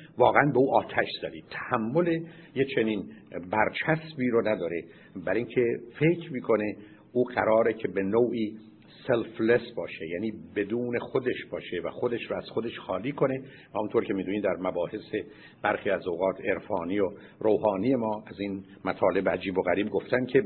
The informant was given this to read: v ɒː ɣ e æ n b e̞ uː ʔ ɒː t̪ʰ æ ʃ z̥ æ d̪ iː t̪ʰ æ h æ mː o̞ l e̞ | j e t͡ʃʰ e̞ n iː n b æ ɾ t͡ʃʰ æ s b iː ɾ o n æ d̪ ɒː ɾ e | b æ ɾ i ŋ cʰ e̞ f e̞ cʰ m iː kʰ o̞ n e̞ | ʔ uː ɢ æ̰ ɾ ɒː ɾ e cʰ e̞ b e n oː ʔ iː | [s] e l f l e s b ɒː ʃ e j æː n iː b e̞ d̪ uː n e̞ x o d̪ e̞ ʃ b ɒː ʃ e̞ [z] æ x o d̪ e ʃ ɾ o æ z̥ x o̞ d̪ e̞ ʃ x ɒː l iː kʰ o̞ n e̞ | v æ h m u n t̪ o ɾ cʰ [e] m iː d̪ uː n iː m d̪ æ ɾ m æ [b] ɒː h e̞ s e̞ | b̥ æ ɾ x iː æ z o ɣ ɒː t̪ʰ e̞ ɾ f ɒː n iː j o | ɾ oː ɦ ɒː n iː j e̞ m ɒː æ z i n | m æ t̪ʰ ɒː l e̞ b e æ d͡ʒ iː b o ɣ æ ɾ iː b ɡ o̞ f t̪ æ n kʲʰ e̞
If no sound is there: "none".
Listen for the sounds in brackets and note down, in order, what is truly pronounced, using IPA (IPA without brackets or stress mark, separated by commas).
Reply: s, v, e, b